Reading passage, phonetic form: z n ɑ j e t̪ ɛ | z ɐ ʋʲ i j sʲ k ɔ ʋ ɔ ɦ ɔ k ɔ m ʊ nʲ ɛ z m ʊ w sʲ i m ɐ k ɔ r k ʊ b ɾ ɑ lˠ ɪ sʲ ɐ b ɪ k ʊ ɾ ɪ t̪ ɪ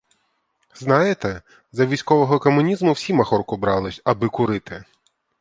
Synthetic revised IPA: z n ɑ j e t̪ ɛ | z ɐ ʋʲ i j sʲ k ɔ ʋ ɔ ɦ ɔ k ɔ m ʊ nʲ i z m ʊ w sʲ i m ɐ x ɔ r k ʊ b ɾ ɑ lˠ ɪ sʲ ɐ b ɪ k ʊ ɾ ɪ t̪ ɪ